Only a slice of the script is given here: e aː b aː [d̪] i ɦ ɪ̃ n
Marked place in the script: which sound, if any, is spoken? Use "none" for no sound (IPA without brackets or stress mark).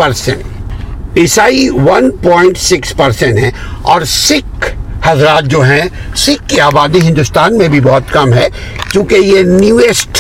d̪